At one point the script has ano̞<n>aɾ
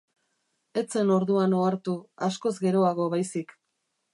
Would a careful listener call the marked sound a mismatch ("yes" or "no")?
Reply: yes